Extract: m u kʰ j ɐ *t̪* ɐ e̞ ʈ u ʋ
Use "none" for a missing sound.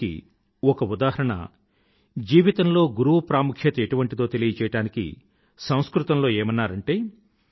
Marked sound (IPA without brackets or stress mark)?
t̪